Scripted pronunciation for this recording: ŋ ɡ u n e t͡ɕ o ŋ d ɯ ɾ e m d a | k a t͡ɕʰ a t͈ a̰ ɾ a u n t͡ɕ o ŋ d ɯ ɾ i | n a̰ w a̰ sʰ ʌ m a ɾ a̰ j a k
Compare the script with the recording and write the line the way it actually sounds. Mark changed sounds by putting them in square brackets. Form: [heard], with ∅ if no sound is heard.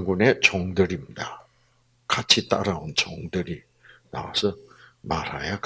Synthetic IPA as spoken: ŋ ɡ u n e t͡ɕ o ŋ d ɯ ɾ [i] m d a | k a t͡ɕʰ [i] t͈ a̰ ɾ a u n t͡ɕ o ŋ d ɯ ɾ i | n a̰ w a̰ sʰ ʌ m a ɾ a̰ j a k